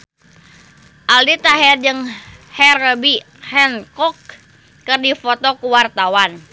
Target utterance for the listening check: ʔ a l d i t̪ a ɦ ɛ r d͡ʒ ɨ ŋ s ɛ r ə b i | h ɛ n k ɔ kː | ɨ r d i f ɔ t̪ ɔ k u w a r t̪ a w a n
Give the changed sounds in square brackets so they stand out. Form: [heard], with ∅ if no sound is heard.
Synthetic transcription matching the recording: ʔ a l d i t̪ a ɦ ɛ r d͡ʒ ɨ ŋ [h] ɛ r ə b i | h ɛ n k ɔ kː | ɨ r d i f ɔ t̪ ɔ k u w a r t̪ a w a n